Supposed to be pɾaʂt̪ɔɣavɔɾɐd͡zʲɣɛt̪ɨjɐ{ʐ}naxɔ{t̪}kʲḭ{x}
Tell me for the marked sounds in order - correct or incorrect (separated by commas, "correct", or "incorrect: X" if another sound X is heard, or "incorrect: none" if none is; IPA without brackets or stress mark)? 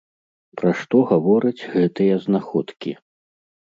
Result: incorrect: z, correct, incorrect: none